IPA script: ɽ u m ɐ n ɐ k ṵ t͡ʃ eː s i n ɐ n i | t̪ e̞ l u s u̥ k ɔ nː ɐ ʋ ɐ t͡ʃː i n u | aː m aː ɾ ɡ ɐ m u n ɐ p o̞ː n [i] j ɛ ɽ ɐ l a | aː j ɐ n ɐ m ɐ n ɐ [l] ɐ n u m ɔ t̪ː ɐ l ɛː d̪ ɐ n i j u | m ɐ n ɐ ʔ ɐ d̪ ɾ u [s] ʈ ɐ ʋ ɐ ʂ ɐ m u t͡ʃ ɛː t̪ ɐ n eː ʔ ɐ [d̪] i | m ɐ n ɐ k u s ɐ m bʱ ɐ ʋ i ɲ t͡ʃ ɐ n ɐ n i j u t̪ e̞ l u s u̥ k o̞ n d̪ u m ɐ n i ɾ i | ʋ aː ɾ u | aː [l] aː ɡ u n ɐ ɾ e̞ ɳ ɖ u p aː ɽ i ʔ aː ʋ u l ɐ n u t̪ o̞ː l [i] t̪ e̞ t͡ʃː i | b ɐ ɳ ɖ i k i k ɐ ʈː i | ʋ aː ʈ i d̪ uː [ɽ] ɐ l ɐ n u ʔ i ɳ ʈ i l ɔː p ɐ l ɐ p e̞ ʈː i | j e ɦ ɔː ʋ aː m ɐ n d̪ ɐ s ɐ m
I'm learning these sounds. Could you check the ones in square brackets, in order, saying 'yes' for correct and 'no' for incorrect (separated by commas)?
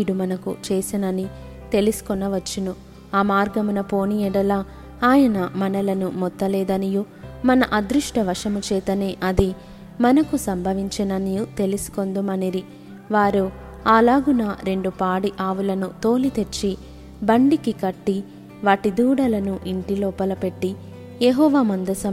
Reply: yes, yes, no, yes, yes, yes, yes